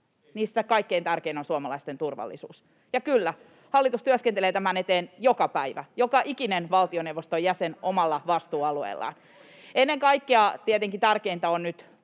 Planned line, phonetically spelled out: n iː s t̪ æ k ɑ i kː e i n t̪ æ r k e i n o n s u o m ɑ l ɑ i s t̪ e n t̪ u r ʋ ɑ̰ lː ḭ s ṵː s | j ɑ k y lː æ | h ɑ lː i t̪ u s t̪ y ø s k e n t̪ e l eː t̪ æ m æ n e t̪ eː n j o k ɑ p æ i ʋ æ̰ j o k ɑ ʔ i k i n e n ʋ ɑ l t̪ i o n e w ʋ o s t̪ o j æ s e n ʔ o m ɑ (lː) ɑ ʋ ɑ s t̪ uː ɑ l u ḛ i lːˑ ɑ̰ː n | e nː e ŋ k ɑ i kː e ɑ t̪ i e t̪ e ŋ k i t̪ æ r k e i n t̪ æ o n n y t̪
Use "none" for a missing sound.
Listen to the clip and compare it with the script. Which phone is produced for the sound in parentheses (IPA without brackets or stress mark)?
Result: lː